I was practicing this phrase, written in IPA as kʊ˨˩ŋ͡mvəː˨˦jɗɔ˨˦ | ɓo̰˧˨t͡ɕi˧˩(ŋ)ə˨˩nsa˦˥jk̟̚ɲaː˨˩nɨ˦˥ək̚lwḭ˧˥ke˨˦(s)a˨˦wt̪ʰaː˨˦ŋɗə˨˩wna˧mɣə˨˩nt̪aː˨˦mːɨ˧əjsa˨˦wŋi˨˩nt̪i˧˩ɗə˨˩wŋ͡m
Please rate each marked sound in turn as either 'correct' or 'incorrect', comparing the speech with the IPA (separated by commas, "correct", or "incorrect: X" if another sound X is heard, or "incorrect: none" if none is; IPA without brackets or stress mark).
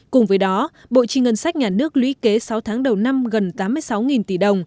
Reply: correct, correct